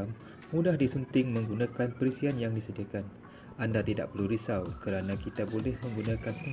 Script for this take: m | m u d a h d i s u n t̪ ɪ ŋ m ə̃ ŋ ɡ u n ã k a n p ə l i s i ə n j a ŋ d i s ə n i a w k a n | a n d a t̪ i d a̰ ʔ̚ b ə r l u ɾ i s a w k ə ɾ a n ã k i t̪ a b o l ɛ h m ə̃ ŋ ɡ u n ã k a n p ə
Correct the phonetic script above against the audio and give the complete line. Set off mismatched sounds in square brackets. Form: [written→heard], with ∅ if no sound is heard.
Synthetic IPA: m | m u d a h d i s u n t̪ ɪ ŋ m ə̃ ŋ ɡ u n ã k a n p ə [l→ɾ] i s i [ə→a] n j a ŋ d i s ə [n→d] i a [w→∅] k a n | a n d a t̪ i d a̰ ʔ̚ [b→p] ə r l u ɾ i s a w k ə ɾ a n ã k i t̪ a b o l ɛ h m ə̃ ŋ ɡ u n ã k a n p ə